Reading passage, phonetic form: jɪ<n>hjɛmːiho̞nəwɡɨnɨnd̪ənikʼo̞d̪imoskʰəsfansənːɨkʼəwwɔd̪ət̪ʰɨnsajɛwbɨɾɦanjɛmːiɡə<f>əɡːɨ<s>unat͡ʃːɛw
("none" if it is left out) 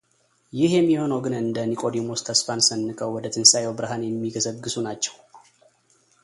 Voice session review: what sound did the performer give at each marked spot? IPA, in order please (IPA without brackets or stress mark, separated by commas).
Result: none, s, s